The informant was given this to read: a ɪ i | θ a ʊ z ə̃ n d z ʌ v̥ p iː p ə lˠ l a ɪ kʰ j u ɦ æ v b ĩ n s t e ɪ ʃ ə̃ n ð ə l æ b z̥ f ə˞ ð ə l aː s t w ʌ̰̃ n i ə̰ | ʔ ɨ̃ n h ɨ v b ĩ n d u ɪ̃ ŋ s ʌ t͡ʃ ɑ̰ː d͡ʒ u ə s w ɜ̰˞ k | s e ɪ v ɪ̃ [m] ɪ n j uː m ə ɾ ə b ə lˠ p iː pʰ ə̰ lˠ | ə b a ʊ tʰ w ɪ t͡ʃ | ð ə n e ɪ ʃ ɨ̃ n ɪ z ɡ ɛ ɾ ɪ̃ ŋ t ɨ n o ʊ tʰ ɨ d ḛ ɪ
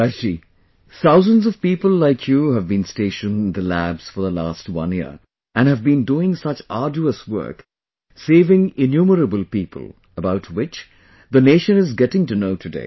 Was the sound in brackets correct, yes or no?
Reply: no